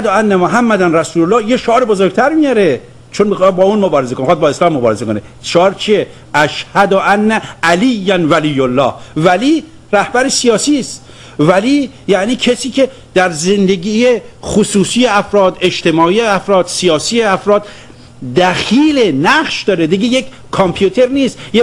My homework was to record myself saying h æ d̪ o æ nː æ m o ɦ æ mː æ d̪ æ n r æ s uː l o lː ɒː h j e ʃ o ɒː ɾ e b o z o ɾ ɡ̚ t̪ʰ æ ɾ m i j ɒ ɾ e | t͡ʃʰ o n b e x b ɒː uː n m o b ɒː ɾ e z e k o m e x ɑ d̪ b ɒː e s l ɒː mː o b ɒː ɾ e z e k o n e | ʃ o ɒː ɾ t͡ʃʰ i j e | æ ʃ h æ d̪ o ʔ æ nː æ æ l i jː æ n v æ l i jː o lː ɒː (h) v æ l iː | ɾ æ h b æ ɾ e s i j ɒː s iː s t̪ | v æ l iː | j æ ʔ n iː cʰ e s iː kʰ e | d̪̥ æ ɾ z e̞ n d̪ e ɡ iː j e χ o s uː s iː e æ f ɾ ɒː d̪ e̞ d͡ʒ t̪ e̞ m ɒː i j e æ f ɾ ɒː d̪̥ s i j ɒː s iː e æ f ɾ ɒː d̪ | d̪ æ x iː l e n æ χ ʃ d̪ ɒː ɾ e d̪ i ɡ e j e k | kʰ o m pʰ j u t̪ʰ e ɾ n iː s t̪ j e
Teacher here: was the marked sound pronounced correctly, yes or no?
yes